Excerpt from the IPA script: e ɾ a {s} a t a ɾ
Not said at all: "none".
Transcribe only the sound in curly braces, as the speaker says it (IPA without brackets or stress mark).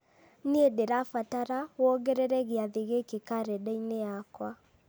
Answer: f